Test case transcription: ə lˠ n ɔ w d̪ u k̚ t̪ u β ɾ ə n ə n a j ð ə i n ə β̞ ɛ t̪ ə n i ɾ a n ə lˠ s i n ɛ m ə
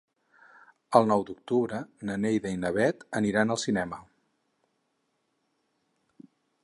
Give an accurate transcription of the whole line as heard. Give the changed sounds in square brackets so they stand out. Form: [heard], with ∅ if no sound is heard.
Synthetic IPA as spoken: ə lˠ n ɔ w d̪ u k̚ t̪ u β ɾ ə n ə n [e] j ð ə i n ə β̞ ɛ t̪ ə n i ɾ a n ə lˠ s i n ɛ m ə

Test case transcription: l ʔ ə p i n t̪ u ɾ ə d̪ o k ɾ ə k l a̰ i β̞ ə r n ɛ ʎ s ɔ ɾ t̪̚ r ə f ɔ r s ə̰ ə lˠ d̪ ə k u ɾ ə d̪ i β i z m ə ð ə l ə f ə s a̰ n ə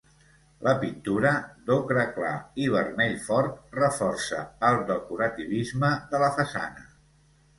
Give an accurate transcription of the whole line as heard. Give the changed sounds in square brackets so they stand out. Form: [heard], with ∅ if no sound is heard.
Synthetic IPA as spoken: l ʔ ə p i n t̪ u ɾ ə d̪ o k ɾ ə k l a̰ i β̞ ə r [m] ɛ ʎ [f] ɔ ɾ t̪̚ r ə f ɔ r s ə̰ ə lˠ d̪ ə k u ɾ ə [t̪] i β i z m ə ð ə l ə f ə s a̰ n ə

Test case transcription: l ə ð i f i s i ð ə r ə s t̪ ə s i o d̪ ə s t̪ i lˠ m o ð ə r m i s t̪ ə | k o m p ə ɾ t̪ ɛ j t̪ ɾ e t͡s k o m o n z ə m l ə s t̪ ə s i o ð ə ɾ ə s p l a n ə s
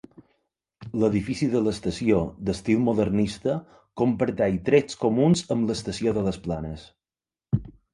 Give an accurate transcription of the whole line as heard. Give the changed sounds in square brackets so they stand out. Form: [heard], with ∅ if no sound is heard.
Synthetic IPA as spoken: l ə ð i f i s i ð ə [l] ə s t̪ ə s i o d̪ ə s t̪ i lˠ m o ð ə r [n] i s t̪ ə | k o m p ə ɾ t̪ ɛ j t̪ ɾ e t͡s k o m [u] n z ə m l ə s t̪ ə s i o ð ə [l] ə s p l a n ə s

